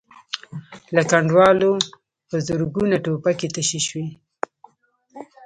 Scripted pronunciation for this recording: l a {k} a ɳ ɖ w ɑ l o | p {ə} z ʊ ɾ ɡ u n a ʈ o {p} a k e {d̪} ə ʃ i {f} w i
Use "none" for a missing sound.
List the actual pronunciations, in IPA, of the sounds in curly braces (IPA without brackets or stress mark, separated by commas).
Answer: k, ə, p, t̪, ʃ